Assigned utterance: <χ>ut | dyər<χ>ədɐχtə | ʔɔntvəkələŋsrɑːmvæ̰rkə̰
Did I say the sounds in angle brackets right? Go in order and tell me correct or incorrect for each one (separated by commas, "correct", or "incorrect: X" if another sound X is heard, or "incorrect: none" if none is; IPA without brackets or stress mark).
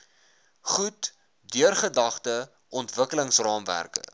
correct, correct